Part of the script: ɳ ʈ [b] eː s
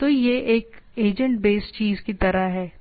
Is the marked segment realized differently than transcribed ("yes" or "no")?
no